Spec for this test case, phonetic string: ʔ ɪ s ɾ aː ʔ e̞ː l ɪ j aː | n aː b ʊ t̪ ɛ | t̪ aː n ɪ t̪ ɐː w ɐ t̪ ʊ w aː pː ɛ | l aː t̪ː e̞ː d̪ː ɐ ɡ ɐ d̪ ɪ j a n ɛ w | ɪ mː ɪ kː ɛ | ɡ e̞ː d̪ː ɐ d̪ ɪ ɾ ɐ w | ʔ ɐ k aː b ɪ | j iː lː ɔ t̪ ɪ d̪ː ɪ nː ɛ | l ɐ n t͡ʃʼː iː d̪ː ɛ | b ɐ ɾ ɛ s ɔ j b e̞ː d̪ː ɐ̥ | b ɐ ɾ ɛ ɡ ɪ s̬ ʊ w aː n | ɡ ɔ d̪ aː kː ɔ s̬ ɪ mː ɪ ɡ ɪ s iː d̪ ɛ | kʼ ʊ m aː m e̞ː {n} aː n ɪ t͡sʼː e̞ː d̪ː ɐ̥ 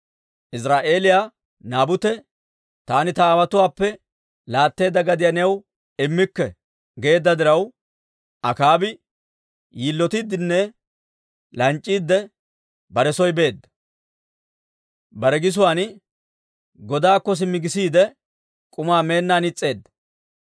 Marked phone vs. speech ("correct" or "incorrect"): incorrect